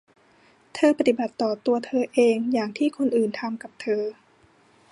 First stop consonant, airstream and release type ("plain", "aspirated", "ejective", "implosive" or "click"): aspirated